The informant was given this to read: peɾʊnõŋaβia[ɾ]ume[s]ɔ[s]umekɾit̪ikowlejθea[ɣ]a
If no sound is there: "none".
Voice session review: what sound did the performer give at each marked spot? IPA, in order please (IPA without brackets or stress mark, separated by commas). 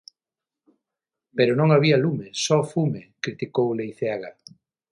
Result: l, s, f, ɣ